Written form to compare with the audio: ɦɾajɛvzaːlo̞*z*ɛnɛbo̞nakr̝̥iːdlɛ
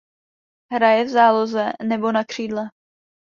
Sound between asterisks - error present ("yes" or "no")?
no